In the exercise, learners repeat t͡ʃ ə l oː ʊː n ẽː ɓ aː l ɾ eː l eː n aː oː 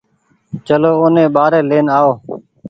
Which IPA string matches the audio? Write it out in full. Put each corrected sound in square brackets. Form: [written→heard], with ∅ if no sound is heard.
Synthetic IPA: t͡ʃ ə l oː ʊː n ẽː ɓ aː [l→∅] ɾ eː l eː n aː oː